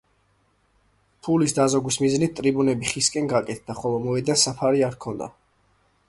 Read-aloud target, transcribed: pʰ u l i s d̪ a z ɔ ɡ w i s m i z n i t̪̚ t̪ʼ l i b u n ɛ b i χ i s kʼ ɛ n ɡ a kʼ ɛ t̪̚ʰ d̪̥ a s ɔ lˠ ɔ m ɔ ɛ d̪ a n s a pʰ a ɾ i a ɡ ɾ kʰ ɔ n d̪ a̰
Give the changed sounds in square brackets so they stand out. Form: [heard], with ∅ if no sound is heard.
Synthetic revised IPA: pʰ u l i s d̪ a z ɔ ɡ w i s m i z n i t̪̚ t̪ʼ [ɾ] i b u n ɛ b i χ i s kʼ ɛ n ɡ a kʼ ɛ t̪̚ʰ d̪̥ a [χ] ɔ lˠ ɔ m ɔ ɛ d̪ a n s a pʰ a ɾ i a [∅] ɾ kʰ ɔ n d̪ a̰